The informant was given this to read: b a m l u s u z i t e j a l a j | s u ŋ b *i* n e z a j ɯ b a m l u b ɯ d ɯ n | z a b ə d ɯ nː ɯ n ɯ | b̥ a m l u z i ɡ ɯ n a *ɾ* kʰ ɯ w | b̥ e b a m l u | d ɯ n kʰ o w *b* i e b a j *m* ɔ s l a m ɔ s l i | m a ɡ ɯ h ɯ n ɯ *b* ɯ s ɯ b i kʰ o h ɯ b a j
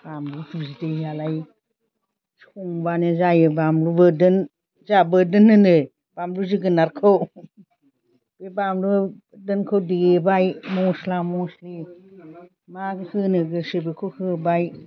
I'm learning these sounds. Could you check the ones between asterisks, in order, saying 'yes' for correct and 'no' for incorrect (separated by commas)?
no, yes, no, yes, no